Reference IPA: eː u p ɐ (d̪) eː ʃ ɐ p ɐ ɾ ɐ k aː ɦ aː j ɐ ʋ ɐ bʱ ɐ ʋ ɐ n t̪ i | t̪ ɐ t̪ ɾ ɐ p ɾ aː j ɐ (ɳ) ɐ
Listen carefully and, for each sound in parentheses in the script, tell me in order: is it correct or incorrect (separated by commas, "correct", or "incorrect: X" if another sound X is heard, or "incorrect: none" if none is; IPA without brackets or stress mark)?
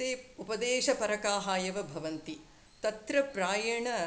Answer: correct, correct